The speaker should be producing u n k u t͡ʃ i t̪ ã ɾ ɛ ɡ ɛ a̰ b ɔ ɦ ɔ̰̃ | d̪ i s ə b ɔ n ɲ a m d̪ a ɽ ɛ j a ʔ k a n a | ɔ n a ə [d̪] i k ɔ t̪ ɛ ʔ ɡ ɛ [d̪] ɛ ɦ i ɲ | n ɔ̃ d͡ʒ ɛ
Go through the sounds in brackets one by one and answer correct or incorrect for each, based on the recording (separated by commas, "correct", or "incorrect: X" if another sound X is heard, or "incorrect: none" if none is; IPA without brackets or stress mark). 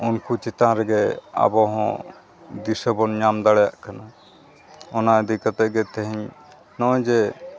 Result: correct, incorrect: t̪